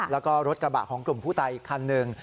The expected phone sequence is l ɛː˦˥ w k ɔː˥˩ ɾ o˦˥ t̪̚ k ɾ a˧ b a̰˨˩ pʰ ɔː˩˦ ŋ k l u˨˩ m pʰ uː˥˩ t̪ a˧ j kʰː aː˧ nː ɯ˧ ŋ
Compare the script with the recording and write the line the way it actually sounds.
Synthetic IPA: l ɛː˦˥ w k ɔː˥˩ ɾ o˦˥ t̪̚ k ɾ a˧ b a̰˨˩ kʰ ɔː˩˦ ŋ k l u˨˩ m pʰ uː˥˩ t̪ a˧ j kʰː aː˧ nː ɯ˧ ŋ

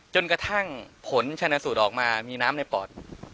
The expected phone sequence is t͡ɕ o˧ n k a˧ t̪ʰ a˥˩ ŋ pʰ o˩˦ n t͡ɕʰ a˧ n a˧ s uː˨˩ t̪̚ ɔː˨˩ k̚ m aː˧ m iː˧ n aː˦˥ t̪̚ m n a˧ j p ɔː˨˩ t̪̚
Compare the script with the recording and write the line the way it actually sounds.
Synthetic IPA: t͡ɕ o˧ n k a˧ t̪ʰ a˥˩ ŋ pʰ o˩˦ n t͡ɕʰ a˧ n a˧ s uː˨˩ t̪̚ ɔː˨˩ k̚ m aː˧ m iː˧ n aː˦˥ m n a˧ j p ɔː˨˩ t̪̚

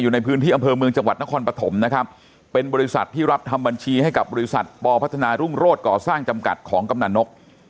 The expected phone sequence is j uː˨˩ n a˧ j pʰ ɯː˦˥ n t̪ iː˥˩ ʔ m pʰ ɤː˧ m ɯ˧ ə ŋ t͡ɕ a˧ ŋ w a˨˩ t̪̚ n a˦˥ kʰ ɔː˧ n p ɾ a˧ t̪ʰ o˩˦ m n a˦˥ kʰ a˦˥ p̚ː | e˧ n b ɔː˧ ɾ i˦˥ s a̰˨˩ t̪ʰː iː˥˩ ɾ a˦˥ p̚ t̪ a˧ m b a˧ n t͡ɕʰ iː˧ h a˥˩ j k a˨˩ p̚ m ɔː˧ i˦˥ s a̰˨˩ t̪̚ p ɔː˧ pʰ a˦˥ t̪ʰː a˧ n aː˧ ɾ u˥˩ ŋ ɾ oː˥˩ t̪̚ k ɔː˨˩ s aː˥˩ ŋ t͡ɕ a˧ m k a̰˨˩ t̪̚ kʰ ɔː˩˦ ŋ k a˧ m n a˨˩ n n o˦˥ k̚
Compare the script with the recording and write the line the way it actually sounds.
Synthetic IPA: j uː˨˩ n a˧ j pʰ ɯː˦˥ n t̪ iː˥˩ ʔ m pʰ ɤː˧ m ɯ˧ ə ŋ t͡ɕ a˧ ŋ w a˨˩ t̪̚ n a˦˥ kʰ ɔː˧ n p ɾ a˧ t̪ʰ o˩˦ m n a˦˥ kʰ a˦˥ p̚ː | e˧ n b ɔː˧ ɾ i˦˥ s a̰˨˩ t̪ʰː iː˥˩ ɾ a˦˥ p̚ t̪ʰ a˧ m b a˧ n t͡ɕʰ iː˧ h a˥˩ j k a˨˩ p̚ b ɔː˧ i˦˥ s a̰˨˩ t̪̚ p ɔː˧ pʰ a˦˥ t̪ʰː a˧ n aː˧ ɾ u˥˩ ŋ ɾ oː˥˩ t̪̚ k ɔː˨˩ s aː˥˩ ŋ t͡ɕ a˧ m k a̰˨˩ t̪̚ kʰ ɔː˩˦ ŋ k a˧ m n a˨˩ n n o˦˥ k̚

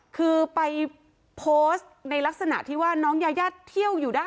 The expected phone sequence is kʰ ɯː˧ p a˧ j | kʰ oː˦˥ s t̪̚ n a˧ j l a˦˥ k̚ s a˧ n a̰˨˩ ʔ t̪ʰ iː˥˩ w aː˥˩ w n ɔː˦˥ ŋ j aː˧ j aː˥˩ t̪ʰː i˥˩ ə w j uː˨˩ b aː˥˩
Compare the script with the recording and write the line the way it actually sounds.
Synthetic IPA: kʰ ɯː˧ p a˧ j | pʰ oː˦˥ s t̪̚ n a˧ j l a˦˥ k̚ s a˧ n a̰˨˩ ʔ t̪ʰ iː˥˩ w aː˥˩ n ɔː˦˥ ŋ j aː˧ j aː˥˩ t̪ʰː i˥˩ ə w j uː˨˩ d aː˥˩

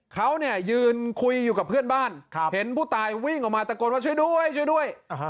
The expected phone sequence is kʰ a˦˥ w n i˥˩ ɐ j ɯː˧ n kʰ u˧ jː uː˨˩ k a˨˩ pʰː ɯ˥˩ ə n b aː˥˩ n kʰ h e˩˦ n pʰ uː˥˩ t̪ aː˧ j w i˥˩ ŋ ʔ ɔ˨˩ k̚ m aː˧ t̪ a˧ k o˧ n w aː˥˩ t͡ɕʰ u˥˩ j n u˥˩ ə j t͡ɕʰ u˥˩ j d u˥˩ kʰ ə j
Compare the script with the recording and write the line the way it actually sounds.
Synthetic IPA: kʰ a˦˥ w n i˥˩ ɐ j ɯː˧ n kʰ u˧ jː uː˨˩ k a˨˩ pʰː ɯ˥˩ ə n b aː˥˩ n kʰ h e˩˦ n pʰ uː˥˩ t̪ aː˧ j w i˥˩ ŋ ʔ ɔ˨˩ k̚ m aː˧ t̪ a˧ k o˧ n w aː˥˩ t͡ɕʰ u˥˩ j d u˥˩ ə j t͡ɕʰ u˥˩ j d u˥˩ ə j

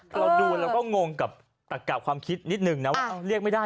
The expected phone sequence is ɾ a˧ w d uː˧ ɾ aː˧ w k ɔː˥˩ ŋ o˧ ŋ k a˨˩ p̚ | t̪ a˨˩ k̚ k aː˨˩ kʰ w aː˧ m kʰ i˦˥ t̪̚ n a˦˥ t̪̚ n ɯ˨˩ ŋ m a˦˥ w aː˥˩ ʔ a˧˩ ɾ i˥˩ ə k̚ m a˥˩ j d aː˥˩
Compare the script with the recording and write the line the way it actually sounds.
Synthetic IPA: ɾ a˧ w d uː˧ ɾ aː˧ w k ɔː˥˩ ŋ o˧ ŋ k a˨˩ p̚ | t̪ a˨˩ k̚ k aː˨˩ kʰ w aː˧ m kʰ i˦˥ t̪̚ n i˦˥ t̪̚ n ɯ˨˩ ŋ n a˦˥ w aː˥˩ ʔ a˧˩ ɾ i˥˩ ə k̚ m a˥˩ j d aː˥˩

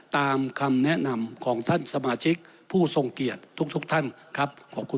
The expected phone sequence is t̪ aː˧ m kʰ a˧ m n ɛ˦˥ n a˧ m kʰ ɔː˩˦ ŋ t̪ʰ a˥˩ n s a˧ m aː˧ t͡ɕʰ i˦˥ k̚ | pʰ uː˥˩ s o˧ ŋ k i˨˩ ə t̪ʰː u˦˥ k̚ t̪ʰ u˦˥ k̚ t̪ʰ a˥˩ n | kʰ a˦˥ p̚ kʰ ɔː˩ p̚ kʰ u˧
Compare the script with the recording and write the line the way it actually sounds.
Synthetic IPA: t̪ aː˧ m kʰ a˧ m n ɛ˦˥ n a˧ m kʰ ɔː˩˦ ŋ t̪ʰ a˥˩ n s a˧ m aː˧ t͡ɕʰ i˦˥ k̚ | pʰ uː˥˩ s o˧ ŋ k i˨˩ ə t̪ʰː u˦˥ k̚ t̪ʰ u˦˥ k̚ t̪ʰ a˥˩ n | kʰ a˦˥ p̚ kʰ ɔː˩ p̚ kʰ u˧

